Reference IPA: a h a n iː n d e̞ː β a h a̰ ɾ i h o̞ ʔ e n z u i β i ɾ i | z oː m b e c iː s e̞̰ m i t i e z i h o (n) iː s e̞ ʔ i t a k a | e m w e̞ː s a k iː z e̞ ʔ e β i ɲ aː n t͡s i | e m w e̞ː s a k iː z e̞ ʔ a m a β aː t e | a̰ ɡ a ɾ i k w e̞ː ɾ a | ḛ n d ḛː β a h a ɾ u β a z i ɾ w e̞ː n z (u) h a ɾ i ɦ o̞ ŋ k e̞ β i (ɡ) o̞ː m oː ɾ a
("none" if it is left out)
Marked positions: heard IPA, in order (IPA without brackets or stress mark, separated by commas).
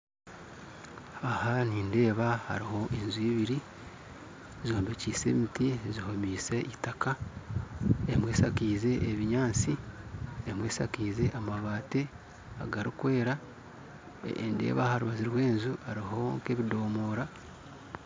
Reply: m, u, d